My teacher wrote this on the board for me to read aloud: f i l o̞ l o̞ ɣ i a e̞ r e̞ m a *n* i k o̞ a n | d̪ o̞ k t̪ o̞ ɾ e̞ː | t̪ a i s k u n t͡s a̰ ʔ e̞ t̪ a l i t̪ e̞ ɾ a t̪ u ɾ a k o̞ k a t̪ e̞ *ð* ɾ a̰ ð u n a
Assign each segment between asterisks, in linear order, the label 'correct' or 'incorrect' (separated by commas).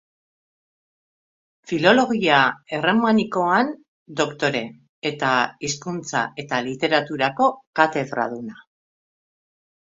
correct, correct